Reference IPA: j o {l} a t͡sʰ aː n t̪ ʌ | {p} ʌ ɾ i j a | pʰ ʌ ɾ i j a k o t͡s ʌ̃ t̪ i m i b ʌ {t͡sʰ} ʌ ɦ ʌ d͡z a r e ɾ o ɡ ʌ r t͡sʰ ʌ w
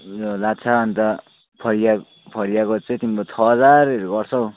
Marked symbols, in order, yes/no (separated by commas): yes, no, yes